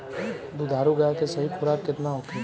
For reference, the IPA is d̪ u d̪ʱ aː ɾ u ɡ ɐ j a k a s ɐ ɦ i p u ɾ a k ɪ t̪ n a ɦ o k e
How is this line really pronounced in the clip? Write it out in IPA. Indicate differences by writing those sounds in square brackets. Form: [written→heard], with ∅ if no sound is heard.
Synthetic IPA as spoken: d̪ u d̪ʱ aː ɾ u ɡ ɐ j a k [a→e] s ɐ ɦ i p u ɾ a k ɪ t̪ n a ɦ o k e